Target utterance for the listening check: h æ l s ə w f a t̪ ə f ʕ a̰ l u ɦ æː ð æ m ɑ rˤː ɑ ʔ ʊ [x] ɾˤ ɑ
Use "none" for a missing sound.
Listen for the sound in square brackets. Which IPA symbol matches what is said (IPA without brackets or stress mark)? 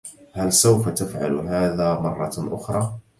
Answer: x